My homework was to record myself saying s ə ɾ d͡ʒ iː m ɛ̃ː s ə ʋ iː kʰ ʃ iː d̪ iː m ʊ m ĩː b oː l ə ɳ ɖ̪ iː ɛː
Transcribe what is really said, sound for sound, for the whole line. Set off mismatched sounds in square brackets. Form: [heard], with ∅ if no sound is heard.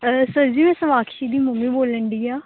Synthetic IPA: s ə ɾ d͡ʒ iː m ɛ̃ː s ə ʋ [aː] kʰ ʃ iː d̪ iː m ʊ m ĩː b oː l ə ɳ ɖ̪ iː [aː]